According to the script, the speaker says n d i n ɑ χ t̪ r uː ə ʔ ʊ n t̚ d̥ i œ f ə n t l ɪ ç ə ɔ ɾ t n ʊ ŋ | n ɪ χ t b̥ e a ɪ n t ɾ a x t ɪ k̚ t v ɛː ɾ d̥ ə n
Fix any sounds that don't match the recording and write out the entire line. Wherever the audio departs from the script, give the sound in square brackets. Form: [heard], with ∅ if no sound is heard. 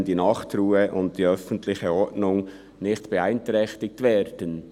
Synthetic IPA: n d i n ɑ χ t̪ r uː ə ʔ ʊ n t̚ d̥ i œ f ə n t l ɪ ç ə ɔ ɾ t n ʊ ŋ | n ɪ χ t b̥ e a ɪ n t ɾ [ɛ] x t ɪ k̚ t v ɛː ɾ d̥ ə n